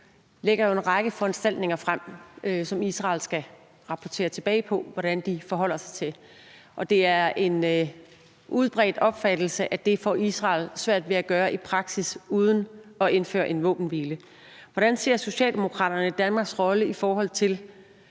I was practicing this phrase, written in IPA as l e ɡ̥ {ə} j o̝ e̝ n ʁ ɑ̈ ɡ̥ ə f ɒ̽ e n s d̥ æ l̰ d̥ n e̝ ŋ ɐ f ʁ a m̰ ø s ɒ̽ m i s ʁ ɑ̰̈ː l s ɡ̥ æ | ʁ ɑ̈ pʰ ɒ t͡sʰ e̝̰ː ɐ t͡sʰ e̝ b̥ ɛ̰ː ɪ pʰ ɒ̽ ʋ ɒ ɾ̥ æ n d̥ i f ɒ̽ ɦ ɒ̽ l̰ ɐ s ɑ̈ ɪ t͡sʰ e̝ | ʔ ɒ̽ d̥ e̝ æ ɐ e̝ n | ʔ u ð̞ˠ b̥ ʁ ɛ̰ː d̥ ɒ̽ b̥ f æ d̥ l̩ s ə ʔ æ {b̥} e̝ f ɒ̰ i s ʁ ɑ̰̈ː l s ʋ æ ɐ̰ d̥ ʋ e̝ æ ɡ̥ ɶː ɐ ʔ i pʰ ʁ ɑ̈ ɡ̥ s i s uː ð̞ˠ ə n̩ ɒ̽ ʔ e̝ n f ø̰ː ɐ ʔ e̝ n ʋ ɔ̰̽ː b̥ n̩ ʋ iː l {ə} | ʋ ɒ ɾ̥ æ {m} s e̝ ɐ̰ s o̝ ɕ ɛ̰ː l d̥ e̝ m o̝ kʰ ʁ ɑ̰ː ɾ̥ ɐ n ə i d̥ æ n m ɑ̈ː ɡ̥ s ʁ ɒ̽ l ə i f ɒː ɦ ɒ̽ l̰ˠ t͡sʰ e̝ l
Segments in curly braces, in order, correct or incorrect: incorrect: ɐ, incorrect: d̥, correct, incorrect: n

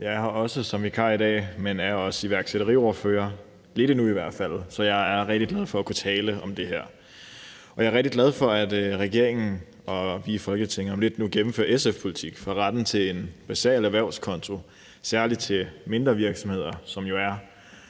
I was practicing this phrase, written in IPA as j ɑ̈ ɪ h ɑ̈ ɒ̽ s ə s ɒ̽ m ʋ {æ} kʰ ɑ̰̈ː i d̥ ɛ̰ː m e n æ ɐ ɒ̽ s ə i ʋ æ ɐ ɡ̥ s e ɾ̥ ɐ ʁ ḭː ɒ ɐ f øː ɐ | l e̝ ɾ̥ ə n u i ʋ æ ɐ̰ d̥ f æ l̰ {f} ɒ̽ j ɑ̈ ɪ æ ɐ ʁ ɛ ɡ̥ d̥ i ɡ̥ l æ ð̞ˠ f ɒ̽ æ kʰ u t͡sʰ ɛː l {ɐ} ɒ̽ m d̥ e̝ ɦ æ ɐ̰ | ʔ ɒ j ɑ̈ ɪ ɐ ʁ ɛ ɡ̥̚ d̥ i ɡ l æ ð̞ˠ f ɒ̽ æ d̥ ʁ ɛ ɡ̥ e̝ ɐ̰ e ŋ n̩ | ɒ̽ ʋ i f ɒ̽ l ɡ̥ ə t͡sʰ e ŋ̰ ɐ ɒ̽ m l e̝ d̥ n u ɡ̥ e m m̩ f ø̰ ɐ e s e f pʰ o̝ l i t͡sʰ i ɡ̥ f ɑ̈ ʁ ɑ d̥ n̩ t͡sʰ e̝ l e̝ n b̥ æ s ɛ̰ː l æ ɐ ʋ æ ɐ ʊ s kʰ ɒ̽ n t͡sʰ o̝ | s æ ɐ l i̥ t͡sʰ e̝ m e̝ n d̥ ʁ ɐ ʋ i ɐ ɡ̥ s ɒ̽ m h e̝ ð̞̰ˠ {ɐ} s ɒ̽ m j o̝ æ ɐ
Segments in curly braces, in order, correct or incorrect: incorrect: i, incorrect: s, incorrect: ə, correct

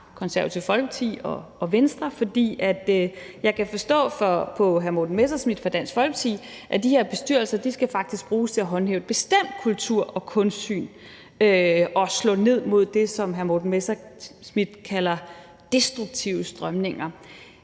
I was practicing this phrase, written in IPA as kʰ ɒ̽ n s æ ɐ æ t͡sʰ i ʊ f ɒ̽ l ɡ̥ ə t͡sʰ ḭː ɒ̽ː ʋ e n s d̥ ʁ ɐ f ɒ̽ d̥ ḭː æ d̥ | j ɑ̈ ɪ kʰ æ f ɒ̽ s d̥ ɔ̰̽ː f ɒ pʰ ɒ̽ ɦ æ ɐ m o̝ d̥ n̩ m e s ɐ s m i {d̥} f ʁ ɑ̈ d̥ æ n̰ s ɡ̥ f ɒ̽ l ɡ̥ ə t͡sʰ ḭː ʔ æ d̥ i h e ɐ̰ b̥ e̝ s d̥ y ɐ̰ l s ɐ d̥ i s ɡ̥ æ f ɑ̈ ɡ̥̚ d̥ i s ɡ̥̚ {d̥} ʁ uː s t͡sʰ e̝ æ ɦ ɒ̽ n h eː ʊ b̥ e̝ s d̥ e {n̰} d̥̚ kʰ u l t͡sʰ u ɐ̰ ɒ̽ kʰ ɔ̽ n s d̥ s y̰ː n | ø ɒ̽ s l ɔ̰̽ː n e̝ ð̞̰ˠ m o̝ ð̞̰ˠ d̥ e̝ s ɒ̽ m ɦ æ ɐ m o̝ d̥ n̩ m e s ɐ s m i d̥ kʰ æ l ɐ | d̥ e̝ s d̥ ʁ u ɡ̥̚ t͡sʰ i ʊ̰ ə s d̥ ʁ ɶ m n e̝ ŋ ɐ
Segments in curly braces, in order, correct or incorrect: correct, incorrect: b̥, incorrect: m̰

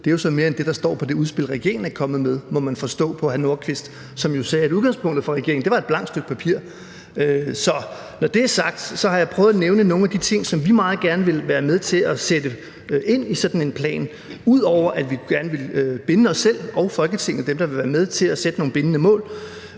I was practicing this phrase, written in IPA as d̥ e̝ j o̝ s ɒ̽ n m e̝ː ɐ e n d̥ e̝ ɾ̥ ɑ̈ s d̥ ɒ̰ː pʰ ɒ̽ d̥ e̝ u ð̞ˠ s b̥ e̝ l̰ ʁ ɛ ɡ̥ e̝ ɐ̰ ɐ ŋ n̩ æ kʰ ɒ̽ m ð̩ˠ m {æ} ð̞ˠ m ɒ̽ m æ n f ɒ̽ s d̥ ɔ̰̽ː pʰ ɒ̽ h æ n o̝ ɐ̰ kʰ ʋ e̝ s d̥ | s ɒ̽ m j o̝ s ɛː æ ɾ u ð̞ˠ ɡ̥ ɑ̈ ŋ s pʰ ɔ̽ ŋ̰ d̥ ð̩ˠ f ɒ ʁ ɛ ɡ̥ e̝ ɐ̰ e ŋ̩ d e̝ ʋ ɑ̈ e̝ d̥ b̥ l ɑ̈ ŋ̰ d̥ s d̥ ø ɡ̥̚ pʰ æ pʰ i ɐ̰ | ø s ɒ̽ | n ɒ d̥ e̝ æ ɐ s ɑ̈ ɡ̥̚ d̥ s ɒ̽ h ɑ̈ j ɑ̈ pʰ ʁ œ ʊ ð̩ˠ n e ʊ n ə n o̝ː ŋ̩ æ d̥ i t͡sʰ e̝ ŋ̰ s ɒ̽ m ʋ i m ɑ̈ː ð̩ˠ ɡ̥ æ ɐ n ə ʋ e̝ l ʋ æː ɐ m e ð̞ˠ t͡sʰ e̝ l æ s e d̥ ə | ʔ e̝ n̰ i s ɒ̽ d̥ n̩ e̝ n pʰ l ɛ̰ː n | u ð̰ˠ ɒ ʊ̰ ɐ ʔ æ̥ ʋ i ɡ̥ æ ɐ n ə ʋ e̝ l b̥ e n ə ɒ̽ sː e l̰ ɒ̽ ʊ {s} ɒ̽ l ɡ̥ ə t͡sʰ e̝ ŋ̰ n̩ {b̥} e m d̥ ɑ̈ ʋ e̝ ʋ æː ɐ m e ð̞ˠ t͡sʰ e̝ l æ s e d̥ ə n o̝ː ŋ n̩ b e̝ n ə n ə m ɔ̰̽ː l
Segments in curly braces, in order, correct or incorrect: incorrect: e, incorrect: f, incorrect: d̥

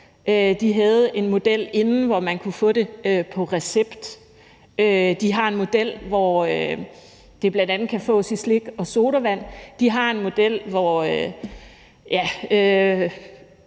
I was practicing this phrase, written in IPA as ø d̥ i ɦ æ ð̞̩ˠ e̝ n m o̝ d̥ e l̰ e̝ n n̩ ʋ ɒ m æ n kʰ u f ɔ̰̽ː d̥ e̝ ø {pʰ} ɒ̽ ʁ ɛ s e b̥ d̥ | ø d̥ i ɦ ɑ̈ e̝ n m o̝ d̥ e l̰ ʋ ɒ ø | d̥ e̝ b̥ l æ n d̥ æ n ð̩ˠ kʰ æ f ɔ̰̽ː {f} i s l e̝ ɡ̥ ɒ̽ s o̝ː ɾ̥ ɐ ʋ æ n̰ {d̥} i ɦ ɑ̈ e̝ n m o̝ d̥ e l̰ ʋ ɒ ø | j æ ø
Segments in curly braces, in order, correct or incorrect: correct, incorrect: s, correct

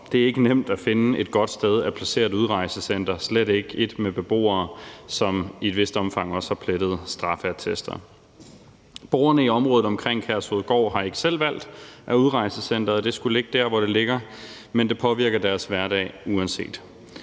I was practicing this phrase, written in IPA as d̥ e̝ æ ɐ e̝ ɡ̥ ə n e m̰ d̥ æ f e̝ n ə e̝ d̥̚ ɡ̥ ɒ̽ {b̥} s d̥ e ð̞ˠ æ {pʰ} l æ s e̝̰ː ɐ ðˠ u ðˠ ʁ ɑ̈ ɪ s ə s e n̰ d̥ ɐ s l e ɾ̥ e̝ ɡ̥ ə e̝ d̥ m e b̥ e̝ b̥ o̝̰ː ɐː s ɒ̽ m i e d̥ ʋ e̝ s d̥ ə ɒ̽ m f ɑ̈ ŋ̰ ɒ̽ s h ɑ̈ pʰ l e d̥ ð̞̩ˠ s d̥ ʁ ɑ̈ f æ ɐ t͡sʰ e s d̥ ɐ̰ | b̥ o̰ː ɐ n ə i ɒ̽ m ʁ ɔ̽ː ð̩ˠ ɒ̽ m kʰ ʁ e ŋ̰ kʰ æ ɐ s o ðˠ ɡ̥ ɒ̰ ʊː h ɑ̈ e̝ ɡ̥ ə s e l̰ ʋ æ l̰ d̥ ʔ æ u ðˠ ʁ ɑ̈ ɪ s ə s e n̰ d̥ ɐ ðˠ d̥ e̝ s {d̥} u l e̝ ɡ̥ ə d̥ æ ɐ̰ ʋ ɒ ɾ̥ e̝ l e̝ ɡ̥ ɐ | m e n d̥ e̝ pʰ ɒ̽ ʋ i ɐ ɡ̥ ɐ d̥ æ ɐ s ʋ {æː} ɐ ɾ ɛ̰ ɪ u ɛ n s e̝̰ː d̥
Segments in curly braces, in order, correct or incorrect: incorrect: d̥, correct, incorrect: ɡ̥, incorrect: æ

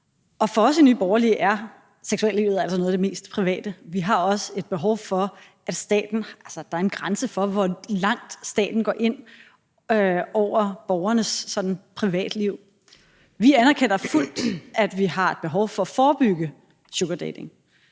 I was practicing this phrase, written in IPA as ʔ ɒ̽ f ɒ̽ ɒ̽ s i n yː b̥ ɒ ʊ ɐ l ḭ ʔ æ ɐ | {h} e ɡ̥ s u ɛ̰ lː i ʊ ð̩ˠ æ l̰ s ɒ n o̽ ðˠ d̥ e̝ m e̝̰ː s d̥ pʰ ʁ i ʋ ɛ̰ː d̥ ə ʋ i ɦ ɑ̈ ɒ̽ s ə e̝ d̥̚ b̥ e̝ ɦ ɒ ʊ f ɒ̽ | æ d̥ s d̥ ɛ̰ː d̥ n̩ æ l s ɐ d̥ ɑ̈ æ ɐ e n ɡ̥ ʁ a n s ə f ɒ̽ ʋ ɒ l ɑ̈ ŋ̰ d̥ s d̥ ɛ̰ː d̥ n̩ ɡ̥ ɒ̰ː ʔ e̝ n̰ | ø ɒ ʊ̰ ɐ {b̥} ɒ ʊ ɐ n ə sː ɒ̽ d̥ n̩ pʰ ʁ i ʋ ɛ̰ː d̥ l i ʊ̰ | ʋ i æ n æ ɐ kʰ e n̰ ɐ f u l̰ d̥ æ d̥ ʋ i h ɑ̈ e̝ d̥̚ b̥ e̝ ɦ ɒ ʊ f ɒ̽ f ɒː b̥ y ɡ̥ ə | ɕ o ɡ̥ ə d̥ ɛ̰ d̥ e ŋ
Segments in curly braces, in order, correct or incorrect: incorrect: s, correct

